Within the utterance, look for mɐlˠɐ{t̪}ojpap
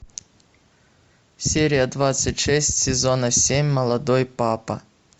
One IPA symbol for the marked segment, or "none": d̪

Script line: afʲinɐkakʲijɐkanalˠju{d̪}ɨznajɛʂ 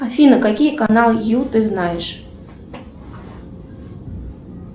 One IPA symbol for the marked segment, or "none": t̪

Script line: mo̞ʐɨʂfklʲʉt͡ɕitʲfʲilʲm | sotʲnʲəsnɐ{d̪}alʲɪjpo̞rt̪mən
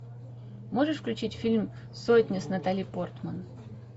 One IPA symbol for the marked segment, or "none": t̪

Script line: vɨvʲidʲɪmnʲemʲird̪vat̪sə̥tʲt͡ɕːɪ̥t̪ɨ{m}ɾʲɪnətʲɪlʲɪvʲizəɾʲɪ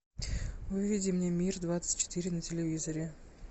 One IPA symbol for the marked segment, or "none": none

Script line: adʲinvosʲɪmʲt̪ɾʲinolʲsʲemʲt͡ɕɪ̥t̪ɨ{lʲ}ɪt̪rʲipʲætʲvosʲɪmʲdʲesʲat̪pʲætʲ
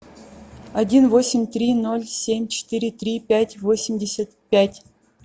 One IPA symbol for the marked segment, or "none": ɾʲ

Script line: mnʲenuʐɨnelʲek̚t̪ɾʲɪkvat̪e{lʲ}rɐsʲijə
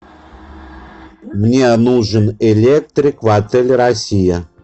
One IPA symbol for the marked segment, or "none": lʲ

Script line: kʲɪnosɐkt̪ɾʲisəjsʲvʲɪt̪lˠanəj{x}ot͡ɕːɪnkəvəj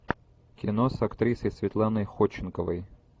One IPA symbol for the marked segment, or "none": x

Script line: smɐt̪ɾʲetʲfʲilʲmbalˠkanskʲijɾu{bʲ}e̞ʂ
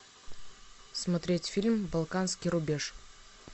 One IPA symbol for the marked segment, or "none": bʲ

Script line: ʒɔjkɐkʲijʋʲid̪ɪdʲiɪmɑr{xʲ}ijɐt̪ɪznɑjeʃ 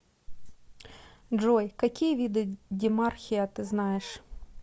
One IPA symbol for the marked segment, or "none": xʲ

